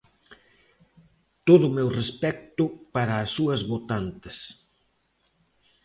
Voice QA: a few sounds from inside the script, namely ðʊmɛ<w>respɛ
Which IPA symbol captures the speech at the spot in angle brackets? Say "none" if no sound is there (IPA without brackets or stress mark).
w